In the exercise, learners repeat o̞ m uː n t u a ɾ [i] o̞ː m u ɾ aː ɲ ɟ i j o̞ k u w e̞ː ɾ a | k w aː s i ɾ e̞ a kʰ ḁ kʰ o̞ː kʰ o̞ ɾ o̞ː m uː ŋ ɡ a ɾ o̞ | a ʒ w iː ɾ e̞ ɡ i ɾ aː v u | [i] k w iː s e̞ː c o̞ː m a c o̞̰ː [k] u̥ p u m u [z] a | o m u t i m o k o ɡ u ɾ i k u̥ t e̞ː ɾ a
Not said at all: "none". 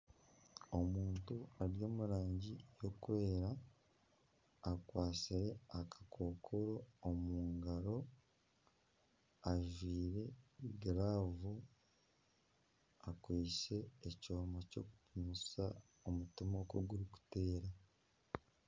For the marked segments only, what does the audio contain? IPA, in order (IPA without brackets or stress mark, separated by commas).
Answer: j, a, k, s